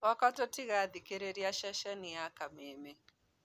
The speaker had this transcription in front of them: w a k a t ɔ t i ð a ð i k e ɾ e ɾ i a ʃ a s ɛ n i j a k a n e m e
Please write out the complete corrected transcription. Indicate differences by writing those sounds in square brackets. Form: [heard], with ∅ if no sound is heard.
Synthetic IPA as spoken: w a k a t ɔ t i [ɣ] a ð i k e ɾ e ɾ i a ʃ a [ʃ] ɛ n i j a k a [m] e m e